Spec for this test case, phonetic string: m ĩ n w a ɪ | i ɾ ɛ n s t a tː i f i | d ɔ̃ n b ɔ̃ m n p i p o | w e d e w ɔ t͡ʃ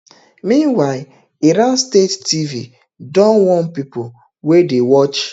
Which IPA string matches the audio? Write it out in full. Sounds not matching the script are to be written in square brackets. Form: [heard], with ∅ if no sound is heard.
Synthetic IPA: m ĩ n w a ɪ | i ɾ [a] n s t [e] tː i [v] i | d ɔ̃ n [w] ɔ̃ [∅] n p i p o | w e d e w ɔ t͡ʃ